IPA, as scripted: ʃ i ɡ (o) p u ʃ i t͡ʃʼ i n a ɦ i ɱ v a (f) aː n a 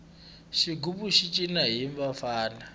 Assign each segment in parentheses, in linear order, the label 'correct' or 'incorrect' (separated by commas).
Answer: incorrect, correct